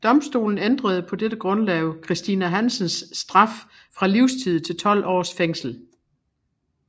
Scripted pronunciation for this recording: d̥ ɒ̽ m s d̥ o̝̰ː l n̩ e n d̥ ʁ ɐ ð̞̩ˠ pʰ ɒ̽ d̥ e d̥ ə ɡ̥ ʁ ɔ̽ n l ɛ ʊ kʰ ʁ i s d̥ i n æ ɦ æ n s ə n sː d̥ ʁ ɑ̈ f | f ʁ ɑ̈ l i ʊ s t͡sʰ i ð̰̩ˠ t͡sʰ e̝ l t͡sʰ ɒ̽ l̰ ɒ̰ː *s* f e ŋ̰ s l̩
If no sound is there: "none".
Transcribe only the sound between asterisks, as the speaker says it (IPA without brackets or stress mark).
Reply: s